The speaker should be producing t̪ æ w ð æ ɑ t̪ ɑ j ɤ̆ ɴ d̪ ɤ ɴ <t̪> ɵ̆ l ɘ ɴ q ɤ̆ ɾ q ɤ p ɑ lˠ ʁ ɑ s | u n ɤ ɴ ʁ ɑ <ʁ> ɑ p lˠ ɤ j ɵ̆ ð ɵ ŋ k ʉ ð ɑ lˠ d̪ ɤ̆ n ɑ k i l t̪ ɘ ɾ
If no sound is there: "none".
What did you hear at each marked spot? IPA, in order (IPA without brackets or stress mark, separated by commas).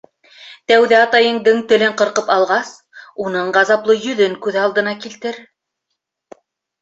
t̪, z